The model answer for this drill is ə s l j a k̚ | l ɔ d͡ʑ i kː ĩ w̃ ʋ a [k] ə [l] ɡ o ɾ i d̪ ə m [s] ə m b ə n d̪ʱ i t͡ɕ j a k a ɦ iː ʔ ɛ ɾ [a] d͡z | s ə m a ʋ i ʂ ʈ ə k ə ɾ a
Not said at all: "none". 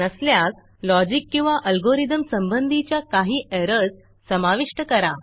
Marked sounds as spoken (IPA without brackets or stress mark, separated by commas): ʔ, l, s, ə